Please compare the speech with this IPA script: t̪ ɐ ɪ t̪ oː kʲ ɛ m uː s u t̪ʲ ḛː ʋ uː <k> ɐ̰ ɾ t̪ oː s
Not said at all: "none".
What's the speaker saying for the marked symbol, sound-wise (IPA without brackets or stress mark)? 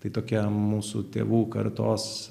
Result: k